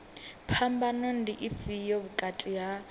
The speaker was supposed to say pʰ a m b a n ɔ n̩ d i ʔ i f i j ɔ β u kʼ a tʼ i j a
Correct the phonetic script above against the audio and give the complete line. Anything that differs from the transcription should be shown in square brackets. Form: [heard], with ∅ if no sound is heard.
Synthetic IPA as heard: pʰ a m b a n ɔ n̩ d i ʔ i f i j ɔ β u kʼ a tʼ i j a